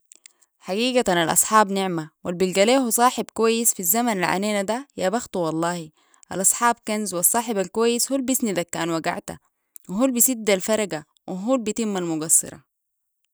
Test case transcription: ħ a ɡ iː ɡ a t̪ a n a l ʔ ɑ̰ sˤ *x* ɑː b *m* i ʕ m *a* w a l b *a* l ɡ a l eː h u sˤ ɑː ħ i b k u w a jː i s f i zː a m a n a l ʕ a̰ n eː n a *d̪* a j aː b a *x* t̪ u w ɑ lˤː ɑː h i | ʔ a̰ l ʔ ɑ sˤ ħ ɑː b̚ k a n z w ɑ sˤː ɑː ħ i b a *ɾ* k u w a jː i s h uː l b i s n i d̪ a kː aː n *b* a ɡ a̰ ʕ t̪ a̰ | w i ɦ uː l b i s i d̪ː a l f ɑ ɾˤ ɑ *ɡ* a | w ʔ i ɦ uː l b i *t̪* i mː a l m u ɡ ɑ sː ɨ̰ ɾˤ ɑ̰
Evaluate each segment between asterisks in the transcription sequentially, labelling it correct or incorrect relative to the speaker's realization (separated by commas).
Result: incorrect, incorrect, correct, incorrect, correct, correct, incorrect, incorrect, correct, correct